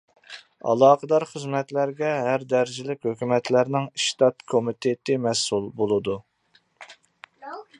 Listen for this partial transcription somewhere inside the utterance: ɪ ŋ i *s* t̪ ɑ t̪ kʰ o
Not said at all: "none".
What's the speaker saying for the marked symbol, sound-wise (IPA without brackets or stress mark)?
ʃ